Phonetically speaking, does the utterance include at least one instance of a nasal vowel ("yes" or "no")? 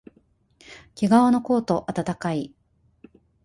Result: no